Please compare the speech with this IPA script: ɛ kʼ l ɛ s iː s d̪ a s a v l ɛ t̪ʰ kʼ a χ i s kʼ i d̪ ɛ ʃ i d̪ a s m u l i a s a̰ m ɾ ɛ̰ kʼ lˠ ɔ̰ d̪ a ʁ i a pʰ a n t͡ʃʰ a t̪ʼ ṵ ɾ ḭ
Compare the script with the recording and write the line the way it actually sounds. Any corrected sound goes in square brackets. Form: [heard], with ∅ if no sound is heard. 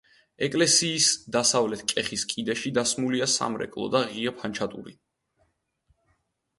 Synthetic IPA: ɛ kʼ l ɛ s iː s d̪ a s a v l ɛ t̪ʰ kʼ [ɛ] χ i s kʼ i d̪ ɛ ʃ i d̪ a s m u l i a s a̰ m ɾ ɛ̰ kʼ lˠ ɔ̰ d̪ a ʁ i a pʰ a n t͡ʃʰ a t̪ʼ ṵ ɾ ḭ